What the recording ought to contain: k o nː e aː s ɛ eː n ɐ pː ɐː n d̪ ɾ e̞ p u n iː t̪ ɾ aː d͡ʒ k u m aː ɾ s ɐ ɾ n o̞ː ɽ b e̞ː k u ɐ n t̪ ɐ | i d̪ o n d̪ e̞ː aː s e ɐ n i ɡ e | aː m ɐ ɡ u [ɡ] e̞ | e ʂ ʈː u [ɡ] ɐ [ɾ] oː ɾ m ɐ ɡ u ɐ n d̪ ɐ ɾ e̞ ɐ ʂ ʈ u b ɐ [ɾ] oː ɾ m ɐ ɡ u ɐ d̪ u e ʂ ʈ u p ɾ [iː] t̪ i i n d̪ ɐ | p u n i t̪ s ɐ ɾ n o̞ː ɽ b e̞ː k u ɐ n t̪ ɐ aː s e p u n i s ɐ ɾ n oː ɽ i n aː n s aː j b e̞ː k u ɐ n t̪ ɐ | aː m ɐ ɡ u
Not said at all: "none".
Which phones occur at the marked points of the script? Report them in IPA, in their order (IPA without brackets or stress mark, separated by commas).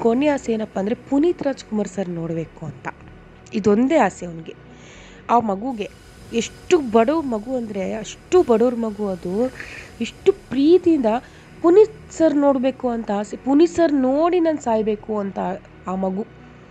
ɡ, b, ɽ, ɽ, iː